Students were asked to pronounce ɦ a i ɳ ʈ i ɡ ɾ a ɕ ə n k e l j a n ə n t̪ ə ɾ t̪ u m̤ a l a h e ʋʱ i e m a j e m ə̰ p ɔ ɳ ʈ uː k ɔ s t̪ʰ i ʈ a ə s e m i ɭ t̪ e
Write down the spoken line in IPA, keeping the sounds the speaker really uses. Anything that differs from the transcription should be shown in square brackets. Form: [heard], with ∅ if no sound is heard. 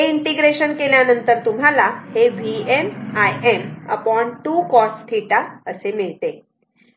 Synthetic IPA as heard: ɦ [e] i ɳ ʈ i ɡ ɾ [e] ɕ ə n k e l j a n ə n t̪ ə ɾ t̪ u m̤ a l a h e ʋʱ i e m a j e m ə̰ p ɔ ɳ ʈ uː k ɔ s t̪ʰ i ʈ a ə s e m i ɭ t̪ e